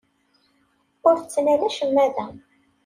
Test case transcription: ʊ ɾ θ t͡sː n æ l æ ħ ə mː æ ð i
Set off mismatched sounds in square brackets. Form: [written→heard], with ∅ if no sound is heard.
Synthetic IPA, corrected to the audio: ʊ ɾ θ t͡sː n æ l æ [ħ→ʃ] ə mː æ ð [i→æ]